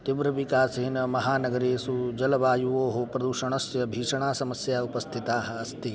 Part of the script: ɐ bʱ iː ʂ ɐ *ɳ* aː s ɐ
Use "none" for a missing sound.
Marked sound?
ɳ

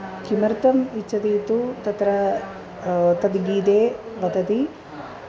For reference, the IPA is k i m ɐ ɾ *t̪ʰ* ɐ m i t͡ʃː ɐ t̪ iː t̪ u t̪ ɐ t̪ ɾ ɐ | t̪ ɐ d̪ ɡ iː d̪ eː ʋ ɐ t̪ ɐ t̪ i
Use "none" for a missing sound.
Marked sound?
t̪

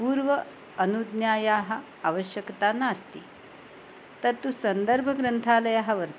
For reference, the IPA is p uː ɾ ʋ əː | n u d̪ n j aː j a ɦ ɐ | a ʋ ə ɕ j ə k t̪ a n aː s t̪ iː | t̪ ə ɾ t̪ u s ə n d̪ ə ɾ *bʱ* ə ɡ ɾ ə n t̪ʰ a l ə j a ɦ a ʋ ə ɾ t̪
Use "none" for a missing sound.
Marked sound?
bʱ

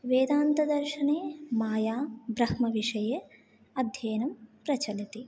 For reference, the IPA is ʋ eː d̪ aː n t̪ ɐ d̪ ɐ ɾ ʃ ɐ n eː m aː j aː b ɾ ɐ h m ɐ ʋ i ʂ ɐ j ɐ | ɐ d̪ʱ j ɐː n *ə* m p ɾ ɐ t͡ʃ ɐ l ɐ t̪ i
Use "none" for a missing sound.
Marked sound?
ɐ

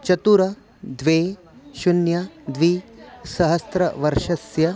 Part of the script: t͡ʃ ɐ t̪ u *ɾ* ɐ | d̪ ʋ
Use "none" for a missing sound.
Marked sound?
ɾ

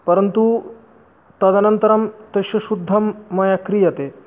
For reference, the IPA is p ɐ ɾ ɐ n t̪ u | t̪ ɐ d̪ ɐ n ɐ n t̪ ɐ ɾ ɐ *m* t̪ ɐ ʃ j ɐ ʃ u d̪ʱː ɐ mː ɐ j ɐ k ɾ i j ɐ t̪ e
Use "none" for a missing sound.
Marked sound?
m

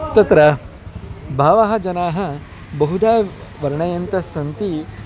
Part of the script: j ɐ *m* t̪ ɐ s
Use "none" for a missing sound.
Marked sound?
n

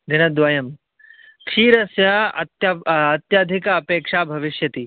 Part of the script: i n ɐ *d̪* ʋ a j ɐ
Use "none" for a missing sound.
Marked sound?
d̪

